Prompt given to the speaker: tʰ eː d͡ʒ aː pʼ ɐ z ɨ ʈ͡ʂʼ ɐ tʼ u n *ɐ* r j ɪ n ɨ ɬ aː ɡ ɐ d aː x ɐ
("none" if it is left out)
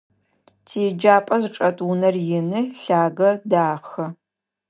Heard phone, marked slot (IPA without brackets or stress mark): ɐ